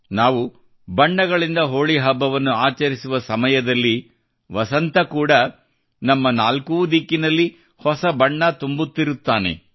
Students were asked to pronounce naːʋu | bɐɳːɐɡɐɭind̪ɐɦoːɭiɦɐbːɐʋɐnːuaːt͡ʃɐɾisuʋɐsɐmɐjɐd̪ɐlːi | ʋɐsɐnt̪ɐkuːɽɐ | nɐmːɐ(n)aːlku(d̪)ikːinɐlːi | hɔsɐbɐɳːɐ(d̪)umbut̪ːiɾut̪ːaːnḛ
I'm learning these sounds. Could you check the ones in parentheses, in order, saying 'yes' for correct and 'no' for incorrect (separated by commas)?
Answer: yes, yes, no